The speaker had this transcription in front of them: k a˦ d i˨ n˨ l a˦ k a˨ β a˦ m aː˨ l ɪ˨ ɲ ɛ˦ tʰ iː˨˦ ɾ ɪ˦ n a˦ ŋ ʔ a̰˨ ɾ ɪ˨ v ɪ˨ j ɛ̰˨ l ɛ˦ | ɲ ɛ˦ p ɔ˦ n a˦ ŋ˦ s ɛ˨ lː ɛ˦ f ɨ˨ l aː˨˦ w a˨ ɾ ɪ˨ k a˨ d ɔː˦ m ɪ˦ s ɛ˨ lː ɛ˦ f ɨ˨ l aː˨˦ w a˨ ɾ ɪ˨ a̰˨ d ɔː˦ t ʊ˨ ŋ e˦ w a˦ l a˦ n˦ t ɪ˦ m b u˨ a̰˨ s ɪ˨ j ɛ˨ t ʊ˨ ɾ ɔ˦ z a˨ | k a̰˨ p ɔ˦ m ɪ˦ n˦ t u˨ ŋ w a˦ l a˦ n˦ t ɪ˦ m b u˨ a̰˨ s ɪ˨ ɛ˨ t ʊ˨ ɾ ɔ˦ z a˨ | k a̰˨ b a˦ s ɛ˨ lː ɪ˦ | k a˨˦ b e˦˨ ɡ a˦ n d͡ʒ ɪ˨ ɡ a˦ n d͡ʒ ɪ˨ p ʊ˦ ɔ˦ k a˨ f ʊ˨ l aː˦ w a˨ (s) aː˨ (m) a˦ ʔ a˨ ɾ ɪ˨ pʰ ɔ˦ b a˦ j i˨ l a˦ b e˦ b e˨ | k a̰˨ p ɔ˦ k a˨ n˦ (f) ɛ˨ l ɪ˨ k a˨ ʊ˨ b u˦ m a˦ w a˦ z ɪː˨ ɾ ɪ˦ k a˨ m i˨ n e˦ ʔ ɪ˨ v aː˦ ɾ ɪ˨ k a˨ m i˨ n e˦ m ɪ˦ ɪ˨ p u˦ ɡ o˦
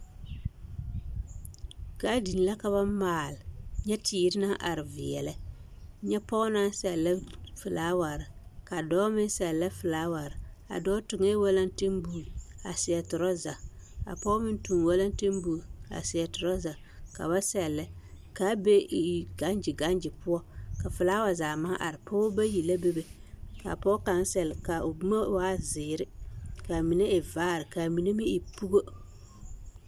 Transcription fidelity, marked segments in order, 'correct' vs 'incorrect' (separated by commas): incorrect, correct, incorrect